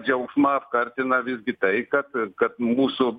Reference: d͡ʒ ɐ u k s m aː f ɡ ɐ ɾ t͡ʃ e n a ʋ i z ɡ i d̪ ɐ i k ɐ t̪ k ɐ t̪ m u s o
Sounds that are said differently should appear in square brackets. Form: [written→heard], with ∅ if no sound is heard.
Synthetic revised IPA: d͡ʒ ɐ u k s m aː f [ɡ→k] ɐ ɾ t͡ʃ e n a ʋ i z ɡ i [d̪→t̪] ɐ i k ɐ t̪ k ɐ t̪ m u s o

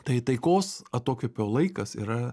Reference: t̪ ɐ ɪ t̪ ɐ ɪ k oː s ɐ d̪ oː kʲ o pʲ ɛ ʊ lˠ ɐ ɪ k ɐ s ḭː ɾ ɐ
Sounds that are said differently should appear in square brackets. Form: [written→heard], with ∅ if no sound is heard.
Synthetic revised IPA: t̪ ɐ ɪ t̪ ɐ ɪ k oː s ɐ [d̪→t̪] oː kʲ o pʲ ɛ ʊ lˠ ɐ ɪ k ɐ s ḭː ɾ ɐ

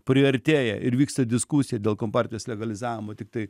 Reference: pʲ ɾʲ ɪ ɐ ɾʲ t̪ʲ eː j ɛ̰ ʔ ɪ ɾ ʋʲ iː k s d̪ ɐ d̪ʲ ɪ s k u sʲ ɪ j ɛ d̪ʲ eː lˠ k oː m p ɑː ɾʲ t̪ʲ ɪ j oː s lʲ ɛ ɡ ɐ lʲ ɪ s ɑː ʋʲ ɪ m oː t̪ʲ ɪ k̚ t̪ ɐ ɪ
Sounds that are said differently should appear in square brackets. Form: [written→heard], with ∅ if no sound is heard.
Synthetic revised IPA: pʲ ɾʲ ɪ ɐ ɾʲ t̪ʲ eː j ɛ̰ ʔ ɪ ɾ ʋʲ iː k s [d̪→t̪] ɐ d̪ʲ ɪ s k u sʲ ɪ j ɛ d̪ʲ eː lˠ k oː m p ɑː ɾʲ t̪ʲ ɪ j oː s lʲ ɛ ɡ ɐ lʲ ɪ [s→z] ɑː ʋʲ ɪ m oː t̪ʲ ɪ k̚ t̪ ɐ ɪ

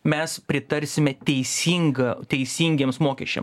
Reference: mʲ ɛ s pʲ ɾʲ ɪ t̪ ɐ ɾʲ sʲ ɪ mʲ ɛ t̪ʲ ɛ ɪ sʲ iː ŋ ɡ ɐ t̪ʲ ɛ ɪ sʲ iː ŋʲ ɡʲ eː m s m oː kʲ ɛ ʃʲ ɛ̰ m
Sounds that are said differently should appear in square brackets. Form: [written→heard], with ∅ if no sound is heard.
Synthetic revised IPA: mʲ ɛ s pʲ ɾʲ ɪ t̪ ɐ ɾʲ sʲ ɪ mʲ ɛ t̪ʲ ɛ ɪ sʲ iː ŋ ɡ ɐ t̪ʲ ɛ ɪ sʲ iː ŋʲ ɡʲ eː m s m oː kʲ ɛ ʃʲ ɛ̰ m

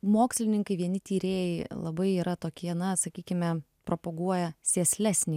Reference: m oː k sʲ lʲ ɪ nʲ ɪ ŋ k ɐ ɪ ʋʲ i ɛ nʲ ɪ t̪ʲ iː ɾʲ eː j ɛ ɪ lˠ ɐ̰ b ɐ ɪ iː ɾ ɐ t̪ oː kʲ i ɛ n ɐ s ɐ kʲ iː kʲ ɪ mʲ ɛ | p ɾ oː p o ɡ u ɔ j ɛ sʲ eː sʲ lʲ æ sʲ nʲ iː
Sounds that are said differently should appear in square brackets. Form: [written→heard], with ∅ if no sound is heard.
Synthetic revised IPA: m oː k sʲ lʲ ɪ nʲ ɪ ŋ k ɐ ɪ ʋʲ i ɛ nʲ ɪ t̪ʲ iː ɾʲ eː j ɛ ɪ lˠ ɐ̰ b ɐ ɪ iː ɾ ɐ t̪ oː kʲ i ɛ n ɐ s ɐ kʲ iː kʲ ɪ mʲ ɛ | p ɾ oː p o ɡ u ɔ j ɛ sʲ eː sʲ lʲ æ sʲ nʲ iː

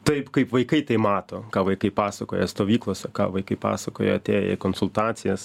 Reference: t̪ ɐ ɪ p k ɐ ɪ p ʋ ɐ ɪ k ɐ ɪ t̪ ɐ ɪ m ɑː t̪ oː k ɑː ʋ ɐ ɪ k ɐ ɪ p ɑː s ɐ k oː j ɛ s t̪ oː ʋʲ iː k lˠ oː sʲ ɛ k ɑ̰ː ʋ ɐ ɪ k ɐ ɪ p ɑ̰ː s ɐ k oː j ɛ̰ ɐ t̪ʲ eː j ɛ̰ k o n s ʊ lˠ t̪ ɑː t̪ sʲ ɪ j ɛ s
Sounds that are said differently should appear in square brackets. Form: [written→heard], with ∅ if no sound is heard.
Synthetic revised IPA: t̪ ɐ ɪ p k ɐ ɪ p ʋ ɐ ɪ k ɐ ɪ t̪ ɐ ɪ m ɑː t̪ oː k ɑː ʋ ɐ ɪ k ɐ ɪ p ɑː s ɐ k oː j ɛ s t̪ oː ʋʲ iː k lˠ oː sʲ ɛ k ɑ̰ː ʋ ɐ ɪ k ɐ ɪ p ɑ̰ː s ɐ k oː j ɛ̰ ɐ t̪ʲ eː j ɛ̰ k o n s ʊ lˠ t̪ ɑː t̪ sʲ ɪ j ɛ s

